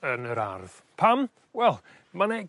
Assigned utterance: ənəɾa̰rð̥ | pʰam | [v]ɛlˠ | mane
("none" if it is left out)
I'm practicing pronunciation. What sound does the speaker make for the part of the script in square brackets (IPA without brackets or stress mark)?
w